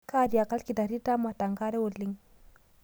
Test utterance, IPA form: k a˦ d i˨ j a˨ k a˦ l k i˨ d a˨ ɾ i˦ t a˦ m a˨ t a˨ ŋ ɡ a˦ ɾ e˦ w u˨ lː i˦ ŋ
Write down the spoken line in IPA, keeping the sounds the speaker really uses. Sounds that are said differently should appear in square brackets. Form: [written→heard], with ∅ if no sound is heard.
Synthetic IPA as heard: k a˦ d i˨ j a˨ k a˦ l k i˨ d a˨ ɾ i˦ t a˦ m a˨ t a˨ ŋ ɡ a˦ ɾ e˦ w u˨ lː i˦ ŋ